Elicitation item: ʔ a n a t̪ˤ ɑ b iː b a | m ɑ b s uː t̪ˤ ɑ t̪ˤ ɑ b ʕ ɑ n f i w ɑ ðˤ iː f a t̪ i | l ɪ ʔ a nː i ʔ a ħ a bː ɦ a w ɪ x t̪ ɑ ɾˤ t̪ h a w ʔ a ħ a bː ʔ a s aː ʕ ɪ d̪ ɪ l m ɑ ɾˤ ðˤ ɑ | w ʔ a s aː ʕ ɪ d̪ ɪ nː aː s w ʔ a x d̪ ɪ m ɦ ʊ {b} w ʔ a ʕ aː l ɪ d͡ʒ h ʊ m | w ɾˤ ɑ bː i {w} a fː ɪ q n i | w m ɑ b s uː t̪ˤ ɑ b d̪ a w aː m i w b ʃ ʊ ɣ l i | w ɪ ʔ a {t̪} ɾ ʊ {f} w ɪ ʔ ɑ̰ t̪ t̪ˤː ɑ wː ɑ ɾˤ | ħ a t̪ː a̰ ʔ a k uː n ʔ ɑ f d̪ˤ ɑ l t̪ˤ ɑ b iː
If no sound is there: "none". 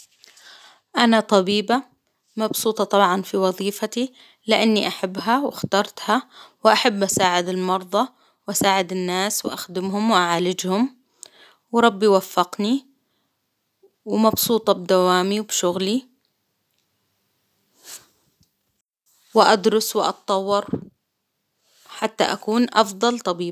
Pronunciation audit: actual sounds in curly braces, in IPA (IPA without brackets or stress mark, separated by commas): m, w, d̪, s